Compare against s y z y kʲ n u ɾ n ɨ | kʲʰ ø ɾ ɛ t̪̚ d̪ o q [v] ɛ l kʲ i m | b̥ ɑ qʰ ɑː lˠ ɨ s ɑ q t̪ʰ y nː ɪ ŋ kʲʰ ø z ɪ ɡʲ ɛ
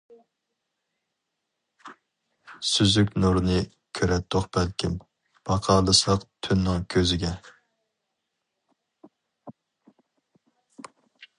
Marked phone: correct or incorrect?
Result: incorrect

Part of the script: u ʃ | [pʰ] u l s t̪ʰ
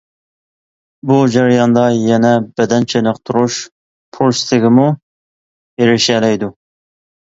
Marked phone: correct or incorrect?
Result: correct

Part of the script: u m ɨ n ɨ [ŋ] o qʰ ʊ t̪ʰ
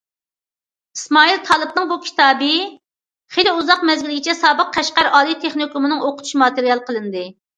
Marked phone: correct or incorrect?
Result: correct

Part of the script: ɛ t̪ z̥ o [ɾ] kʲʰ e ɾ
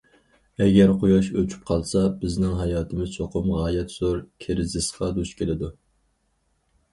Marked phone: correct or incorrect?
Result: correct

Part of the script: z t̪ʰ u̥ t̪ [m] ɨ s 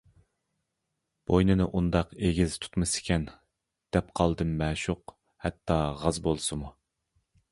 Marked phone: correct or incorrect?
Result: correct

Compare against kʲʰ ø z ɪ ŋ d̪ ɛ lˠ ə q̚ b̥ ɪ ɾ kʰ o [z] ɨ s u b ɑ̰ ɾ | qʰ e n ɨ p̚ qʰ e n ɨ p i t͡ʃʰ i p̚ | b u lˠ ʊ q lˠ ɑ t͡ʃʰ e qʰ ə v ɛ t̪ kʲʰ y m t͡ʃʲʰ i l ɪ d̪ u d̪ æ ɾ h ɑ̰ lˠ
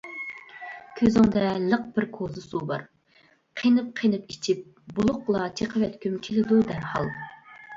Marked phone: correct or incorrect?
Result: correct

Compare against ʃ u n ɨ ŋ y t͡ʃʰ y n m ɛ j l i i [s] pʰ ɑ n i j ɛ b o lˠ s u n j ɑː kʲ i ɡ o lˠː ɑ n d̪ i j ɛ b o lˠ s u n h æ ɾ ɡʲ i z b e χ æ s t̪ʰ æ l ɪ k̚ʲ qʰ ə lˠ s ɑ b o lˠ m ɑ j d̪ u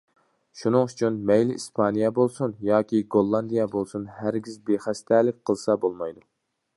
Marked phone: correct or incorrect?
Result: correct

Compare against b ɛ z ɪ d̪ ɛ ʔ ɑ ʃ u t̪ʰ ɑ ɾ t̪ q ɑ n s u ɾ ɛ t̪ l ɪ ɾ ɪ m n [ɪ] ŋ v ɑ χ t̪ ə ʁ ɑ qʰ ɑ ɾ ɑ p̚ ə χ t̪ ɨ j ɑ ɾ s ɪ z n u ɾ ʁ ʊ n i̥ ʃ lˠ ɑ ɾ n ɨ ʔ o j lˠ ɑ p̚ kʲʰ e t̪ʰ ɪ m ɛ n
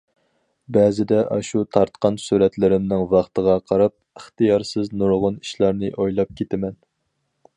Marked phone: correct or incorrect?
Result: correct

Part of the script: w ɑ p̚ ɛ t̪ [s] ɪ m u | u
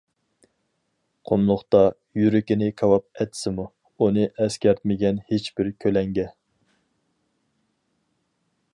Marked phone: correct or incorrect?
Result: correct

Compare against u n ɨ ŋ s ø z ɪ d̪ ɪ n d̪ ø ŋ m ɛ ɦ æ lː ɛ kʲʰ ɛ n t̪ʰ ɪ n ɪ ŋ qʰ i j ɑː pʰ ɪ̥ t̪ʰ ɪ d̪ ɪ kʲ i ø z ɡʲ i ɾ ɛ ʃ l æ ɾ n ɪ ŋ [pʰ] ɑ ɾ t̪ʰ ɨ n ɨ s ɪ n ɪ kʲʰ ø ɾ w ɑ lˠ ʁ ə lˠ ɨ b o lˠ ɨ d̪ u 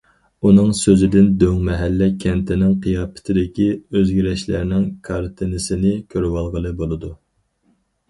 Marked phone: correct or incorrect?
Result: incorrect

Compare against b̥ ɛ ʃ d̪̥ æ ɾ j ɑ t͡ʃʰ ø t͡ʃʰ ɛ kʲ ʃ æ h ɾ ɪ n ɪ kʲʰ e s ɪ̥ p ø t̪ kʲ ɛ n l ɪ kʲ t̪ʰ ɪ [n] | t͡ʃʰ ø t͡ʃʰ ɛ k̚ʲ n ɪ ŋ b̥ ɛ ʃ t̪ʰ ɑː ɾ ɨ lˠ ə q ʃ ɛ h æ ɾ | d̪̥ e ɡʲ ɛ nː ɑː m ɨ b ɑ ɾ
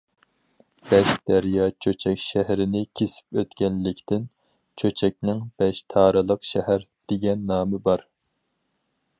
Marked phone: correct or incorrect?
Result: correct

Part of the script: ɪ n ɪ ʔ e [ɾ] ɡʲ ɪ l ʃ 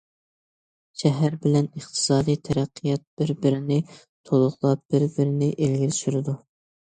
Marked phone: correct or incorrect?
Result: incorrect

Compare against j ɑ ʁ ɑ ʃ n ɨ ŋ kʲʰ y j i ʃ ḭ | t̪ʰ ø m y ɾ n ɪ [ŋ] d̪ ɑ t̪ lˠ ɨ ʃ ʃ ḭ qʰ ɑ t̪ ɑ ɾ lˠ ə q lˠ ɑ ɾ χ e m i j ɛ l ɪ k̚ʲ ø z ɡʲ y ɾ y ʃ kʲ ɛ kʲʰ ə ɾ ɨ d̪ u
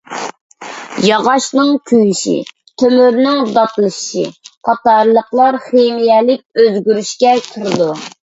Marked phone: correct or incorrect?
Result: correct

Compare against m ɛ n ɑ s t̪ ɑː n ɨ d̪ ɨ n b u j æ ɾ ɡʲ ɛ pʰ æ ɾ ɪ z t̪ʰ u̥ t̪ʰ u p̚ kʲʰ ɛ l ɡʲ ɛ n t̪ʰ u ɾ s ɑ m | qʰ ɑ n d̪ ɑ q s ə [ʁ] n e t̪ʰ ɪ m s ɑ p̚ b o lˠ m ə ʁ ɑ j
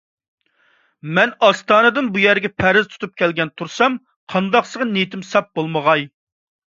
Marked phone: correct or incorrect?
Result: correct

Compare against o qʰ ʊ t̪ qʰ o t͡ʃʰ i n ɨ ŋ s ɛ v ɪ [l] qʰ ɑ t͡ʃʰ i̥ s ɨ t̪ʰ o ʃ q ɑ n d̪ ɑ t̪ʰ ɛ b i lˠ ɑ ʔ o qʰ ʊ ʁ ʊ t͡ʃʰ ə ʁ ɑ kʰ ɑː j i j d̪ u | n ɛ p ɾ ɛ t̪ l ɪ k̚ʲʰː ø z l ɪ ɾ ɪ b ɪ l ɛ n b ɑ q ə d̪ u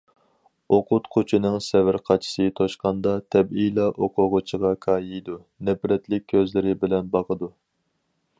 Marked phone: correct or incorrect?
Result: incorrect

